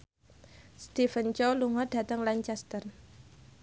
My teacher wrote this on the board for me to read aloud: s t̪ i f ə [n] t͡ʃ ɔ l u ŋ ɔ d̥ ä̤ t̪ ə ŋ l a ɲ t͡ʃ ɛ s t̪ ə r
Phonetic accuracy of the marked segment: correct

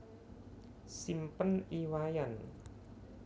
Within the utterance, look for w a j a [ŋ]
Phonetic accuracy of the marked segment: incorrect: n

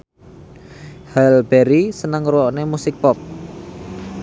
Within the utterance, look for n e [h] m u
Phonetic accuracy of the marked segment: incorrect: none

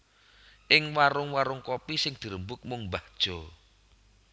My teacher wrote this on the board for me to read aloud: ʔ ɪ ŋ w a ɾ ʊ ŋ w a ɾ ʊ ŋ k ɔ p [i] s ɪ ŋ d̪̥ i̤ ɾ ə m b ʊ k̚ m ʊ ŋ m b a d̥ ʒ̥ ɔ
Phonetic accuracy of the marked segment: correct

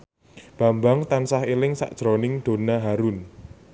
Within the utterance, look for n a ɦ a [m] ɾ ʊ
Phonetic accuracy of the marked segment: incorrect: none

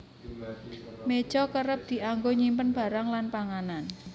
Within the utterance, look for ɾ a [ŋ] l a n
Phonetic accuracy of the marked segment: correct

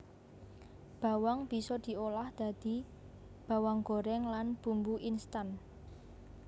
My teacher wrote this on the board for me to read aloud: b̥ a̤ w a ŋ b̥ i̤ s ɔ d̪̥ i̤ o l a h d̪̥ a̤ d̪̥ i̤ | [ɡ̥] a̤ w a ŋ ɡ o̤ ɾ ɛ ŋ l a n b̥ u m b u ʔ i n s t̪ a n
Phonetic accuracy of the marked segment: incorrect: b̥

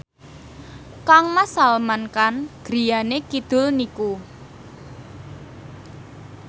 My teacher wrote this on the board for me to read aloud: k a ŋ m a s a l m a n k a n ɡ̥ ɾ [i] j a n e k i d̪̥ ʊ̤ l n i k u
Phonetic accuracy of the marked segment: correct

